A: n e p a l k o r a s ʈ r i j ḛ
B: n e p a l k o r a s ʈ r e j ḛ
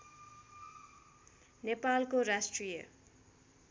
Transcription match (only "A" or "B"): A